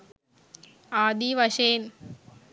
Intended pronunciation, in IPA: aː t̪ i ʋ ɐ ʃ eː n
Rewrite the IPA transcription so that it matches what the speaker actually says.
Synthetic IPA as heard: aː d̪ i ʋ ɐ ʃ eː n